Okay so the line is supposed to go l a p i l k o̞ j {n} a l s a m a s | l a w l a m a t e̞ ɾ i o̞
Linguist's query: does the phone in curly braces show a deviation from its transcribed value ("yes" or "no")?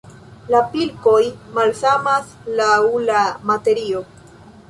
yes